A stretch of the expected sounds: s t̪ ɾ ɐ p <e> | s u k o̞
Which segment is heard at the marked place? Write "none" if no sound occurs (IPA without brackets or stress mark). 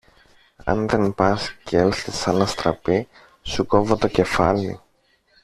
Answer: i